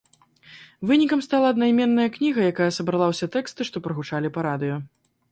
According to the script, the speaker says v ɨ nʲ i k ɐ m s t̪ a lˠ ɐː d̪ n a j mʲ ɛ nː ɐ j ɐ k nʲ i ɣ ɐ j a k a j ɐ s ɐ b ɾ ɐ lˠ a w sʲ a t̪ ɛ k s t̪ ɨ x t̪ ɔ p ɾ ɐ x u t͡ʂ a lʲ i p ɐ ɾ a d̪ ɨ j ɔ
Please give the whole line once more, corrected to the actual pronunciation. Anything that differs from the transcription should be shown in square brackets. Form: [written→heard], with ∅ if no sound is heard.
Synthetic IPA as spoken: v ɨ nʲ i k ɐ m s t̪ a lˠ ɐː d̪ n a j mʲ ɛ nː ɐ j ɐ k nʲ i ɣ ɐ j a k a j ɐ s ɐ b ɾ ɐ lˠ a w sʲ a t̪ ɛ k s t̪ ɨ [x→ʂ] t̪ ɔ p ɾ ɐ [x→ɣ] u t͡ʂ a lʲ i p ɐ ɾ a d̪ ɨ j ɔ

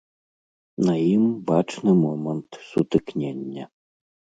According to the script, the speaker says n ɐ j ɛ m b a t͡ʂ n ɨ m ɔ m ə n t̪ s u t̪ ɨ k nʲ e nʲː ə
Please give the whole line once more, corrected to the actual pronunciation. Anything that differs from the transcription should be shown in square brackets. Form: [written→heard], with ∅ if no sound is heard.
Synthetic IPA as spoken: n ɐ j [ɛ→i] m b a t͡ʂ n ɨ m ɔ m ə n t̪ s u t̪ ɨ k nʲ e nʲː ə

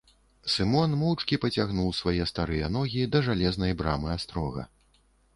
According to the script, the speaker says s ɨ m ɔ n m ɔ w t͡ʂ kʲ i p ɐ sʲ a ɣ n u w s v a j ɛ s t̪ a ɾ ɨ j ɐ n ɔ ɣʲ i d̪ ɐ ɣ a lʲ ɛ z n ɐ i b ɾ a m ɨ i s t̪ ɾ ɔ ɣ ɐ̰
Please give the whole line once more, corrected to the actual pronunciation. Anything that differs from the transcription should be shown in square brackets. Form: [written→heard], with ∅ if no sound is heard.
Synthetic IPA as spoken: s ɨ m ɔ n m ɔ w t͡ʂ kʲ i p ɐ [sʲ→t͡sʲ] a ɣ n u w s v a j ɛ s t̪ a ɾ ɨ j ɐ n ɔ ɣʲ i d̪ ɐ [ɣ→ʐ] a lʲ ɛ z n ɐ [i→j] b ɾ a m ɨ [i→a] s t̪ ɾ ɔ ɣ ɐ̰

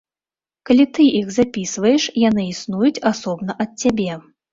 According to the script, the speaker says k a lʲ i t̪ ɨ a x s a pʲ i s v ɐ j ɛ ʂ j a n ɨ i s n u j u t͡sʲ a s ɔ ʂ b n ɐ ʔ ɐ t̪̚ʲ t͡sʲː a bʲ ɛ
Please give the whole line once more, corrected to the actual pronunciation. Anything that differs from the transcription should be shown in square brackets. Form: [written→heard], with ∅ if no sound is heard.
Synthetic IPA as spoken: k a lʲ i t̪ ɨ [a→i] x [s→z] a pʲ i s v ɐ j ɛ ʂ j a n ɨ i s n u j u t͡sʲ a s ɔ [ʂ→∅] b n ɐ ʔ ɐ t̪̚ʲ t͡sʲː a bʲ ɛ

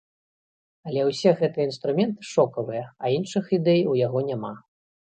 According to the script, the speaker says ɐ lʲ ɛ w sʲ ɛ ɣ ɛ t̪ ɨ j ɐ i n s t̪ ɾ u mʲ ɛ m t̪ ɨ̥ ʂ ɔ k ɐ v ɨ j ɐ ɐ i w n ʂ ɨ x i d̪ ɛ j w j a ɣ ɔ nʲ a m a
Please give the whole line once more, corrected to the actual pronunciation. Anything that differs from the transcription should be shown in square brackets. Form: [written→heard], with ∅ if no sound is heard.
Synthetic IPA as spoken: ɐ lʲ ɛ w sʲ ɛ ɣ ɛ t̪ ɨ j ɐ i n s t̪ ɾ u mʲ ɛ [m→n] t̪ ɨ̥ ʂ ɔ k ɐ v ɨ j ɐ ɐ i [w→∅] n ʂ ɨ x i d̪ ɛ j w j a ɣ ɔ nʲ a m a

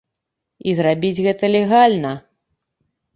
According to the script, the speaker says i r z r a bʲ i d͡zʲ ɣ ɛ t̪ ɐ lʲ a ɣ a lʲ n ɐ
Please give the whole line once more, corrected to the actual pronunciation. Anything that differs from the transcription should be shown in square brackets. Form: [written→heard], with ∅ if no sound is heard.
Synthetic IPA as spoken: i [r→∅] z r a bʲ i d͡zʲ ɣ ɛ t̪ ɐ lʲ [a→ɛ] ɣ a lʲ n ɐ

